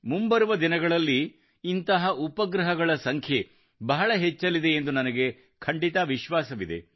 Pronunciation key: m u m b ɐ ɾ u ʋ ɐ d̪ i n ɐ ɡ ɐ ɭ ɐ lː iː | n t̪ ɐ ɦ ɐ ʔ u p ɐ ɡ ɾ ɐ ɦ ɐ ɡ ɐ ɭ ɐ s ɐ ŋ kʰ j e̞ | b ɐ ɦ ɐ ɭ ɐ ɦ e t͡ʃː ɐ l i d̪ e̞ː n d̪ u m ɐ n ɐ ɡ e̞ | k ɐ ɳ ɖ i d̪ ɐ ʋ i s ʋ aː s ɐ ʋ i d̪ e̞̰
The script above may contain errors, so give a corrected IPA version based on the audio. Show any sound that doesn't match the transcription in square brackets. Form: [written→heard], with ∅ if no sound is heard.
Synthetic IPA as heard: m u m b ɐ ɾ u ʋ ɐ d̪ i n ɐ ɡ ɐ ɭ ɐ lː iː | n t̪ ɐ ɦ ɐ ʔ u p ɐ ɡ ɾ ɐ ɦ ɐ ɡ ɐ ɭ ɐ s ɐ ŋ kʰ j e̞ | b ɐ ɦ ɐ ɭ ɐ ɦ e t͡ʃː ɐ l i d̪ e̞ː n d̪ u [m→n] ɐ n ɐ ɡ e̞ | [k→kʰ] ɐ ɳ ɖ i [d̪→t̪] ɐ ʋ i [s→ʃ] ʋ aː s ɐ ʋ i d̪ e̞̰